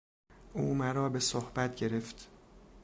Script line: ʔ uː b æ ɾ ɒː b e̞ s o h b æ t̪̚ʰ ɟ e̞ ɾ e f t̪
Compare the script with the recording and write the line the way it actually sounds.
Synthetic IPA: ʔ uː m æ ɾ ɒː b e̞ s o h b æ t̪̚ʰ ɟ e̞ ɾ e f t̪